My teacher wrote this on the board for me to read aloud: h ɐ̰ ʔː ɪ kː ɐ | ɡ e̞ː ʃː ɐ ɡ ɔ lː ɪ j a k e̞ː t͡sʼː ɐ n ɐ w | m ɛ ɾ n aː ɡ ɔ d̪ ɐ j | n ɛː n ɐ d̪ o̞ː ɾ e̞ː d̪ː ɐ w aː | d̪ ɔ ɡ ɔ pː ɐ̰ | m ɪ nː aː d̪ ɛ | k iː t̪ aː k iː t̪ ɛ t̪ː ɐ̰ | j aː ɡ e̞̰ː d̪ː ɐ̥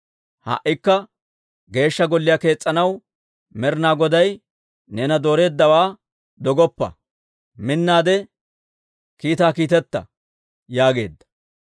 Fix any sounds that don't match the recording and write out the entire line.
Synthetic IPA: h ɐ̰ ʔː ɪ kː ɐ | ɡ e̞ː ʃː ɐ ɡ ɔ lː ɪ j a k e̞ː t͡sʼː ɐ n ɐ w | m ɛ ɾ n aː ɡ ɔ d̪ ɐ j | n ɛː n ɐ d̪ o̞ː ɾ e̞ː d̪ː ɐ w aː | d̪ ɔ ɡ ɔ pː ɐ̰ | m ɪ nː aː d̪ ɛ | k iː t̪ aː k iː t̪ ɛ t̪ː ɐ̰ | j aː ɡ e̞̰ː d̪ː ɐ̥